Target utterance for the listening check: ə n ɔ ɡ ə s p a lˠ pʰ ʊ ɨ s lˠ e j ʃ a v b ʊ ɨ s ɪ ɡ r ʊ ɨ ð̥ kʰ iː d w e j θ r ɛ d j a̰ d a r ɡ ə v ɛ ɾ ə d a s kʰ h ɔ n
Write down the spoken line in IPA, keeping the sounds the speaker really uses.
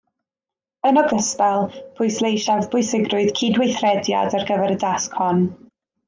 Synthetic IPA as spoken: ə n ɔ ɡ ə s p ɛ lˠ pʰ ʊ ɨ s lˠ e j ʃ a v b ʊ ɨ s ɪ ɡ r ʊ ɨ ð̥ kʰ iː d w e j θ r ɛ d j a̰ d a r ɡ ə v ɛ ɾ ə d a s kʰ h ɔ n